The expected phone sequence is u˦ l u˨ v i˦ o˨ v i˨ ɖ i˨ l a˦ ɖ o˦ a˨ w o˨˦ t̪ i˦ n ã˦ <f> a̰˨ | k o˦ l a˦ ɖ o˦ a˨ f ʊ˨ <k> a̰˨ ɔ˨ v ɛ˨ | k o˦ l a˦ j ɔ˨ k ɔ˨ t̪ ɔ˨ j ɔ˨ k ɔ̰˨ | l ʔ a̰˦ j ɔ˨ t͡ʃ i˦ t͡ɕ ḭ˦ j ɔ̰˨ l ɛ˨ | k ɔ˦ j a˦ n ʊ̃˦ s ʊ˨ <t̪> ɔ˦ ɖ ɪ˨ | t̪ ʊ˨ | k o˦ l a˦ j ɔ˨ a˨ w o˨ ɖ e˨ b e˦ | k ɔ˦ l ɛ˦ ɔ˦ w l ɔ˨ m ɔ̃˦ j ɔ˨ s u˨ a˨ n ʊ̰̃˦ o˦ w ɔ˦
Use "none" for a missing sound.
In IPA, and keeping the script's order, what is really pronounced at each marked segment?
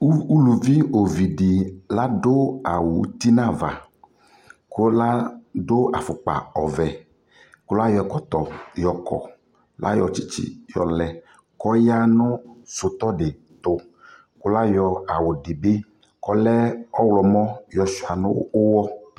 v, k͡p, t̪

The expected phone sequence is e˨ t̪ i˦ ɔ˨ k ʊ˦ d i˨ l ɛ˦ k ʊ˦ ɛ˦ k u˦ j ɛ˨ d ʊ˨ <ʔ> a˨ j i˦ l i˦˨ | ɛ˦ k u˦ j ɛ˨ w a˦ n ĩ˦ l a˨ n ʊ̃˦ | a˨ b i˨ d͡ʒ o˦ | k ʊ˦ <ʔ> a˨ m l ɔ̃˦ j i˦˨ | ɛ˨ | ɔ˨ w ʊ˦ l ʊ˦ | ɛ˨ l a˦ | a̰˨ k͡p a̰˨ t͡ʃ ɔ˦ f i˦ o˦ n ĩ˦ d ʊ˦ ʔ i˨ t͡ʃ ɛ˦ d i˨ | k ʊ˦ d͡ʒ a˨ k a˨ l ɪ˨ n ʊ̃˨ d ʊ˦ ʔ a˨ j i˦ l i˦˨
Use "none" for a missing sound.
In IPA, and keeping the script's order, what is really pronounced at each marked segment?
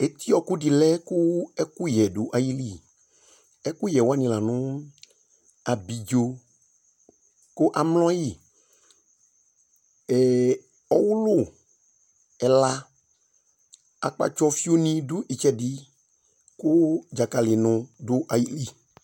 ʔ, ʔ

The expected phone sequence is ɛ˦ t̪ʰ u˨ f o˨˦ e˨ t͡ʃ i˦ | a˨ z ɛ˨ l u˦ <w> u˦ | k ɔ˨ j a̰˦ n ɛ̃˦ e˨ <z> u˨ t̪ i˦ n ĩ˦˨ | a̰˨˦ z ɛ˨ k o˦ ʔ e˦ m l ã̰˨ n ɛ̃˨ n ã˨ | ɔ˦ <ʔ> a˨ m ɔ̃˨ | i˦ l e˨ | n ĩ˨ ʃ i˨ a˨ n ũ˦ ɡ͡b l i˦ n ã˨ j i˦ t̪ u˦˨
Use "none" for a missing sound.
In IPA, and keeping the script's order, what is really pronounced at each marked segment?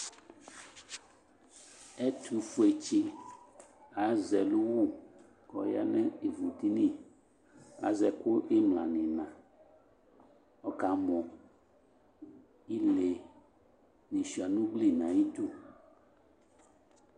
w, v, k

